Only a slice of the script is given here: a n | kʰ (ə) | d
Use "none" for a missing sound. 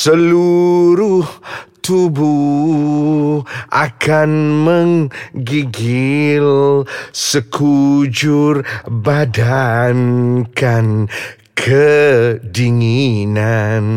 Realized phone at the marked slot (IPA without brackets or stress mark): ə